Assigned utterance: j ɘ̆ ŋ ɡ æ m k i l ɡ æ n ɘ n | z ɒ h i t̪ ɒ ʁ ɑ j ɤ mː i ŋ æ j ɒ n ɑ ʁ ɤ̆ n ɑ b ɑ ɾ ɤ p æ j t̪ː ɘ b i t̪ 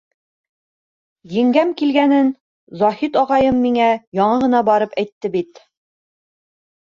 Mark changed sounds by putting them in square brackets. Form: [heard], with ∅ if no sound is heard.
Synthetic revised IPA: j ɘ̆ ŋ ɡ æ m k i l ɡ æ n ɘ n | z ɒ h i t̪ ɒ ʁ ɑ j ɤ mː i ŋ æ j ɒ [ɴ] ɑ ʁ ɤ̆ n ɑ b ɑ ɾ ɤ p æ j t̪ː ɘ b i t̪